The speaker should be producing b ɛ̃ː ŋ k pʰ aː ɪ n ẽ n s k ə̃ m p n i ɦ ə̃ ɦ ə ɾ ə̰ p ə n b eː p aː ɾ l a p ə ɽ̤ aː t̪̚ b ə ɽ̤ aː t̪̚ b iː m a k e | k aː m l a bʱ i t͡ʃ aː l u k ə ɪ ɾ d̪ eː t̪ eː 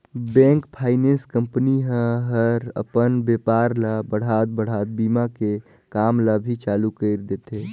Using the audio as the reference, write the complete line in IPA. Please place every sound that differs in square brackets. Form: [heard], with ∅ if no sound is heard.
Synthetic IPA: b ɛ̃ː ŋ k pʰ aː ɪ n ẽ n s k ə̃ m p n i ɦ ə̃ ɦ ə ɾ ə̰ p ə n b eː p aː ɾ l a [b] ə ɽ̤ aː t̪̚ b ə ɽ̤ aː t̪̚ b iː m a k e | k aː m l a bʱ i t͡ʃ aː l u k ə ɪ ɾ d̪ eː t̪ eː